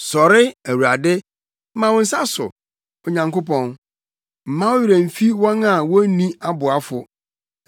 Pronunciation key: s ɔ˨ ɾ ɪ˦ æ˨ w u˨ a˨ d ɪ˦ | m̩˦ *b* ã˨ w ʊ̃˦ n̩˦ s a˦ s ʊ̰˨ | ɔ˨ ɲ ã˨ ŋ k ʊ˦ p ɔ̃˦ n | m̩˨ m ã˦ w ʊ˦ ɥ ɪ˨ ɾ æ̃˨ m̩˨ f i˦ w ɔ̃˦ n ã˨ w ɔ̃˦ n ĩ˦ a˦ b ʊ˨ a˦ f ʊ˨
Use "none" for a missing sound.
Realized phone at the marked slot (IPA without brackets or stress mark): m